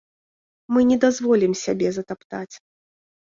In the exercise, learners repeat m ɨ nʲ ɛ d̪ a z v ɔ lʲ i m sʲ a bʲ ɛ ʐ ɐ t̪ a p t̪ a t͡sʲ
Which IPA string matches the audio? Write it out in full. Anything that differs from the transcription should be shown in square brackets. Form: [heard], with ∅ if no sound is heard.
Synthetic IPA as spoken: m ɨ nʲ ɛ d̪ a z v ɔ lʲ i m sʲ a bʲ ɛ [z] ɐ t̪ a p t̪ a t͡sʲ